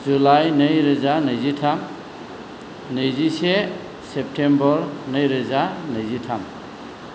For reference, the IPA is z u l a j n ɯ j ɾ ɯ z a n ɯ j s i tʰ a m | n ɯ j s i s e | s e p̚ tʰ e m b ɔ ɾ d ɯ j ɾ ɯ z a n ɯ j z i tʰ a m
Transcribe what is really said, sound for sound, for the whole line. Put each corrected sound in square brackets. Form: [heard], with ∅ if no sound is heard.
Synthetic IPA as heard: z u l a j n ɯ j ɾ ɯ z a n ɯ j [z] i tʰ a m | n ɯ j [z] i s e | s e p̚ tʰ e m b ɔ ɾ [n] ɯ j ɾ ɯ z a n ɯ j z i tʰ a m

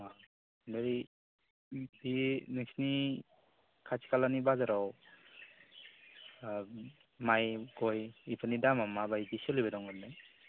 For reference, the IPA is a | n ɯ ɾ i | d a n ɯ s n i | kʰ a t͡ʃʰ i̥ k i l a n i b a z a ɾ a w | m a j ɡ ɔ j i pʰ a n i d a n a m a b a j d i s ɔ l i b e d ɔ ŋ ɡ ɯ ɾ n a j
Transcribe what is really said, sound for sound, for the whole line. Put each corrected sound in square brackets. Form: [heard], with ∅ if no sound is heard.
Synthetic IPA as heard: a | n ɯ ɾ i | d [i] n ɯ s n i | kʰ a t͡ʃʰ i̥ k [a] l a n i b a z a ɾ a w | m a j ɡ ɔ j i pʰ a n i d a [m] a m a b a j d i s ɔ l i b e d ɔ ŋ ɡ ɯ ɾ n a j

